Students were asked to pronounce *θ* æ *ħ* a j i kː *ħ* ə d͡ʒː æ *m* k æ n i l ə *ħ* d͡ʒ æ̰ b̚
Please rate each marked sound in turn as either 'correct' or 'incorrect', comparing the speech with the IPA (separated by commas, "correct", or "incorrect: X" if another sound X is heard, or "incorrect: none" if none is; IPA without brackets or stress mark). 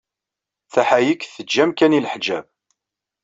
correct, correct, incorrect: θ, correct, correct